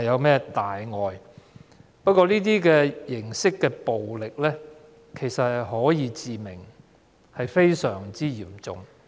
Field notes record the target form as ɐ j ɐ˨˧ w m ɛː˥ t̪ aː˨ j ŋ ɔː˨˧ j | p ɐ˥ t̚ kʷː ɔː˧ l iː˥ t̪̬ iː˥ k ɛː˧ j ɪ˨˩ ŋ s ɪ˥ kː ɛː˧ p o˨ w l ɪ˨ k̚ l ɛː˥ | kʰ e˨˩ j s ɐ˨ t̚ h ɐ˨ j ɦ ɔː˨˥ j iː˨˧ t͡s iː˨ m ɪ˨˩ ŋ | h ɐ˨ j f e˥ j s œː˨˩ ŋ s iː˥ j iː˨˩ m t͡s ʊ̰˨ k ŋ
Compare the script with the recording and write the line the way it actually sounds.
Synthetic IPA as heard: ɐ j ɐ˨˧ w m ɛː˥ t̪ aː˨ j ŋ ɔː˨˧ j | p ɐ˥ t̚ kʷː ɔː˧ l iː˥ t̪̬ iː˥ k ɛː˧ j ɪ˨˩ ŋ s ɪ˥ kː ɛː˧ p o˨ w l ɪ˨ k̚ l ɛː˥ | kʰ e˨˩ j s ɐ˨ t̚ h ɐ˨ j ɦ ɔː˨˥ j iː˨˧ t͡s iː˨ m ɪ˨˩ ŋ | h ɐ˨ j f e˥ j s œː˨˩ ŋ t͡s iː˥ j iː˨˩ m t͡s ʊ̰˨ ŋ